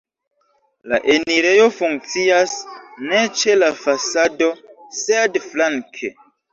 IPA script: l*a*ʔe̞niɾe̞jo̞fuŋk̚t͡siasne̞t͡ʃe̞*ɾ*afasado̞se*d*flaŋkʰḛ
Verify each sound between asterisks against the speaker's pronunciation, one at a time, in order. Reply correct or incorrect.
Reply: correct, incorrect: l, correct

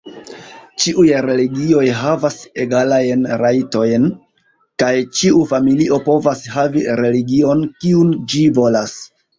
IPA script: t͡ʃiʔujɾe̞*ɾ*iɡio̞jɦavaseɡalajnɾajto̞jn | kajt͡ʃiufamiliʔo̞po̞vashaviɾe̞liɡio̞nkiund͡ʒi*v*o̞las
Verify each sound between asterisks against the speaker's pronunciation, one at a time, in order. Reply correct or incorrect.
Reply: incorrect: l, correct

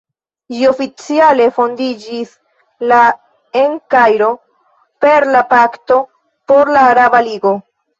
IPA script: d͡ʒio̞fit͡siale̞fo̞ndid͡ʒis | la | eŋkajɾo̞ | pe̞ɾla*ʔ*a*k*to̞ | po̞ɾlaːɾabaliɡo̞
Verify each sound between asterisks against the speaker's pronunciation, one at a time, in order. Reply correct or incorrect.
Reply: incorrect: p, correct

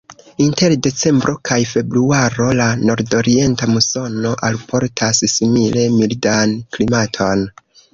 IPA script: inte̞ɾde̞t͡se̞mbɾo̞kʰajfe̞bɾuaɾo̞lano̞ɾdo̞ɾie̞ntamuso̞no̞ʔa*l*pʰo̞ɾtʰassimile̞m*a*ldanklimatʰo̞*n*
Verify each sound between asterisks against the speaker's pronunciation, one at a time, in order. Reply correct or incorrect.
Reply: correct, incorrect: i, correct

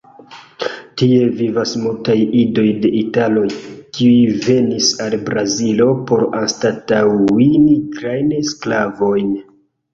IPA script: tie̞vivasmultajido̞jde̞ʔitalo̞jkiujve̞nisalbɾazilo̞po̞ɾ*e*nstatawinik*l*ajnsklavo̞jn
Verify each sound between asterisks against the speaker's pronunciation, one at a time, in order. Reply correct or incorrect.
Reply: incorrect: a, incorrect: ɾ

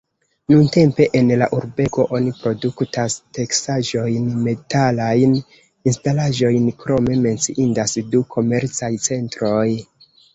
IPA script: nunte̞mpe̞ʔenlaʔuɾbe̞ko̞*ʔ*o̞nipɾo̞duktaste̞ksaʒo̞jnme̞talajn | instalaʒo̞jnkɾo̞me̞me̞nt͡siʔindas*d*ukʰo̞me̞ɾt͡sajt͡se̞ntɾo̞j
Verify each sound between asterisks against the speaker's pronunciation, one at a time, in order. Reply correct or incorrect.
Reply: correct, correct

